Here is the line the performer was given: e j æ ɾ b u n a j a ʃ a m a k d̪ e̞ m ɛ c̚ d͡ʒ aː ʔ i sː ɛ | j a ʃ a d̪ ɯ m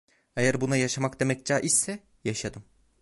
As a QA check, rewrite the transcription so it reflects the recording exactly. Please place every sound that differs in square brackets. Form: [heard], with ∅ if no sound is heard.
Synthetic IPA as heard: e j æ ɾ b u n a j a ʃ a m a k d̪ e̞ m ɛ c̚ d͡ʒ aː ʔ i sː ɛ | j a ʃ a d̪ ɯ m